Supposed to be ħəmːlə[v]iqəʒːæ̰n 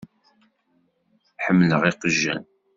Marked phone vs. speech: incorrect: ʁ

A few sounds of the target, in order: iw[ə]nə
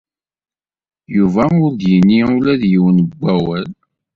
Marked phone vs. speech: correct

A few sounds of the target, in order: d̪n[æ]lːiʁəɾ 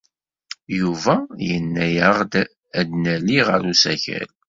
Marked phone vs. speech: correct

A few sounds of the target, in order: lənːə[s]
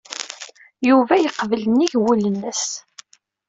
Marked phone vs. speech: correct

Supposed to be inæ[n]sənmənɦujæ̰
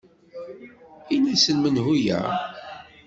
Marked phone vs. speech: incorrect: none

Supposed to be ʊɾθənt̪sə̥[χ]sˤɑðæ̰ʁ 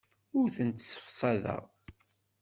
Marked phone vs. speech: incorrect: f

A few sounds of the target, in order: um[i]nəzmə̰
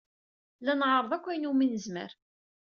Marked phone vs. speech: correct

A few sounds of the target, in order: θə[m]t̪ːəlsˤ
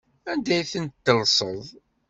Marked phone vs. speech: incorrect: n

